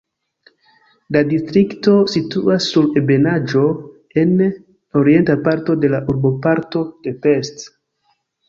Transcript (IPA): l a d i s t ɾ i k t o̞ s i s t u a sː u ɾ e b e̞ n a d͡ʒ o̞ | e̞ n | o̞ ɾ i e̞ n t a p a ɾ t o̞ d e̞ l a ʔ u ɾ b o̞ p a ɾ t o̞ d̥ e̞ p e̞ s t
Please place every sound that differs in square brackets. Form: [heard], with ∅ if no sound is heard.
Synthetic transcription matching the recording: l a d i s t ɾ i k t o̞ s i [∅] t u a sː u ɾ e b e̞ n a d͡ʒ o̞ | e̞ n | o̞ ɾ i e̞ n t a p a ɾ t o̞ d e̞ l a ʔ u ɾ b o̞ p a ɾ t o̞ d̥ e̞ p e̞ s t